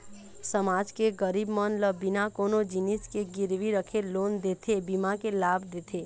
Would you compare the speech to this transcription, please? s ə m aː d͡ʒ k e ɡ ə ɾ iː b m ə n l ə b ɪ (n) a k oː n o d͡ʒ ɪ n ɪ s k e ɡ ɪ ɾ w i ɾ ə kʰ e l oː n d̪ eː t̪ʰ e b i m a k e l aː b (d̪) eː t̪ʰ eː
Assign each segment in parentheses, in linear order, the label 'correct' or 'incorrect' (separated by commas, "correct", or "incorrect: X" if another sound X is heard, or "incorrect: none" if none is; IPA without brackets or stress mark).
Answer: correct, correct